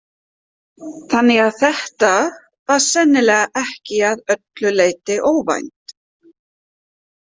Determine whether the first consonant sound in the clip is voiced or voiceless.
voiceless